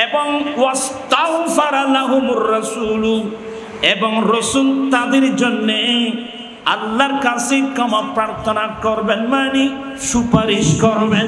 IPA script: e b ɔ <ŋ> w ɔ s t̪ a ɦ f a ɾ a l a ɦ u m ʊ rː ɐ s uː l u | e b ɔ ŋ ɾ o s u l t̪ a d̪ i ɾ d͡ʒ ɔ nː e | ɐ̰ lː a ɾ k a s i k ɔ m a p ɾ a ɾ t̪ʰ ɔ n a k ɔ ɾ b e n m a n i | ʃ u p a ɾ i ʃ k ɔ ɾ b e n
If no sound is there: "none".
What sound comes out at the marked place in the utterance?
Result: ŋ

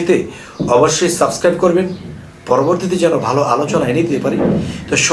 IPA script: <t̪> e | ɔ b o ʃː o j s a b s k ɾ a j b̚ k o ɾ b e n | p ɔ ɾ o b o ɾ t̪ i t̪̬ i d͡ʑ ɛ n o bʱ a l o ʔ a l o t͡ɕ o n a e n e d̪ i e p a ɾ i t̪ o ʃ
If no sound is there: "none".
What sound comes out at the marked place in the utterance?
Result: t̪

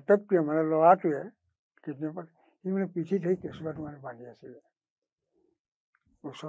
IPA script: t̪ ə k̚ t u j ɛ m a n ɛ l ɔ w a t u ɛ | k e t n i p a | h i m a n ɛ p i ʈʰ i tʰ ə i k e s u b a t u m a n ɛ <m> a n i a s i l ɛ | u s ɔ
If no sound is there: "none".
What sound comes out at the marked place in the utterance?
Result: b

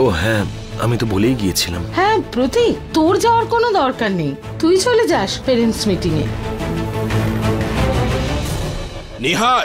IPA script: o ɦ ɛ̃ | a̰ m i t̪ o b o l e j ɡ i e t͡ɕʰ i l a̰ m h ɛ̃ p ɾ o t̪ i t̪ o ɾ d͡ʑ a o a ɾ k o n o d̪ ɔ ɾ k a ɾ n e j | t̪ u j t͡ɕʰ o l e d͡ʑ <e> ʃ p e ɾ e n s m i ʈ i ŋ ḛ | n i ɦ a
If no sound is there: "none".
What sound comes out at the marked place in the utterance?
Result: a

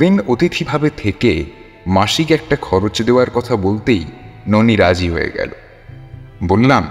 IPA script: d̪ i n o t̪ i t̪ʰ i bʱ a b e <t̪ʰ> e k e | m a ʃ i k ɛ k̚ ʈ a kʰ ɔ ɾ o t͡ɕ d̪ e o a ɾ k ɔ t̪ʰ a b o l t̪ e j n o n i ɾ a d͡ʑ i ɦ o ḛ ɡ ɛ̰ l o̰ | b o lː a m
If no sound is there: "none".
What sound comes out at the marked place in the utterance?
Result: t̪ʰ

